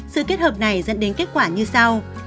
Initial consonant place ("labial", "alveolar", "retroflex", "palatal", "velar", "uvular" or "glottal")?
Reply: alveolar